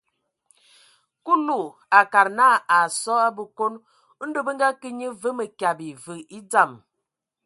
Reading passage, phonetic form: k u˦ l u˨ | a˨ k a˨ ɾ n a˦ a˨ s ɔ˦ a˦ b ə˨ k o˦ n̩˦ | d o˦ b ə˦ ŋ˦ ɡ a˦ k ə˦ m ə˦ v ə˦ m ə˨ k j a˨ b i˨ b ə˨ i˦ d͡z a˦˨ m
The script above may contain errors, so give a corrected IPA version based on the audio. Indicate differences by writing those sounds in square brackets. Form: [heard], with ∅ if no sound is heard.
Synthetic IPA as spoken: k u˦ l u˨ | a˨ k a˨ ɾ n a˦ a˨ s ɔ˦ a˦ b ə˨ k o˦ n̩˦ | d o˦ b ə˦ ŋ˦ ɡ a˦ k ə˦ [ɲ] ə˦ v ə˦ m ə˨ k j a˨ b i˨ [v] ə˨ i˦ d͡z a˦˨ m